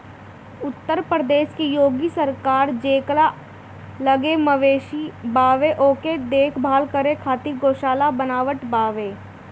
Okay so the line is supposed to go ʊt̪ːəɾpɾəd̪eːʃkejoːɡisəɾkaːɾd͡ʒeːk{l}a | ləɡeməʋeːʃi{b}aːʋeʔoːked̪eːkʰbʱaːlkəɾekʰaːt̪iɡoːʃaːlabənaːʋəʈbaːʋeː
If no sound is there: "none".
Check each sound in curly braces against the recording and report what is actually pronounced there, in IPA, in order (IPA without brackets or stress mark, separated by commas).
l, b